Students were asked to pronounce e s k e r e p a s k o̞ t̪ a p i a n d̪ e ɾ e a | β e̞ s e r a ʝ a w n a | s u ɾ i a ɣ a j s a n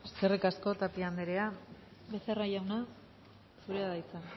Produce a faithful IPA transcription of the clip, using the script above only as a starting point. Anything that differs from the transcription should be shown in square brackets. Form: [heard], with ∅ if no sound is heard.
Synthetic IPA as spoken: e s k e r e [k] a s k o̞ t̪ a p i a n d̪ e ɾ e a | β e̞ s e r a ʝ a w n a | s u ɾ [e] a [ð] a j [t͡s] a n

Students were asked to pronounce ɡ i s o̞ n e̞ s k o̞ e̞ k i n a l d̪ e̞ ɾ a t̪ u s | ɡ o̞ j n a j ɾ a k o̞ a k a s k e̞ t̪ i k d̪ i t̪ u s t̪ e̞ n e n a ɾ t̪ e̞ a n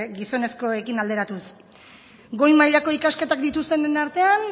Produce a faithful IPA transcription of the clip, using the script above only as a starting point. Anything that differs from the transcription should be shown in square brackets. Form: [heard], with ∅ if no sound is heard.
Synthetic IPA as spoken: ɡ i s o̞ n e̞ s k o̞ e̞ k i n a l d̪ e̞ ɾ a t̪ u s | ɡ o̞ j [m] a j [ʎ] a k o̞ [i] k a s k e̞ t̪ [a] k d̪ i t̪ u s t̪ e̞ n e n a ɾ t̪ e̞ a n

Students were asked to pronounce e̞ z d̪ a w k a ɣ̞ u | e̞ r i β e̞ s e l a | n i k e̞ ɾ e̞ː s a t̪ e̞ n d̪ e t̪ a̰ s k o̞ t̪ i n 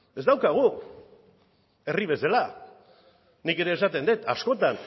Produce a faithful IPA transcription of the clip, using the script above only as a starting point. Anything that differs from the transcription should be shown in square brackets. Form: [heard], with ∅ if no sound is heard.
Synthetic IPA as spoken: e̞ z d̪ a w k a ɣ̞ u | e̞ r i β e̞ s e l a | n i k e̞ ɾ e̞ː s a t̪ e̞ n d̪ e t̪ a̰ s k o̞ t̪ [a] n

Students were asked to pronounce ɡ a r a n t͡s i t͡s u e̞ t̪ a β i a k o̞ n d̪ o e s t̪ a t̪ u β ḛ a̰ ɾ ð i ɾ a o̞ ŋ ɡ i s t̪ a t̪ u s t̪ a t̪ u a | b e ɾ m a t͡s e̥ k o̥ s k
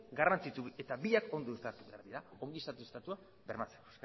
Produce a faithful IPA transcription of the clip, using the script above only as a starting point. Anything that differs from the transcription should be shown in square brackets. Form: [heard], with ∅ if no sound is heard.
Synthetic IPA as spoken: ɡ a r a n t͡s i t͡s u e̞ t̪ a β i a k o̞ n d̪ o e s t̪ a t̪ u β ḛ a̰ ɾ ð i ɾ a o̞ ŋ ɡ i s t̪ a t̪ u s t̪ a t̪ u a | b e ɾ m a t͡s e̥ k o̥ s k

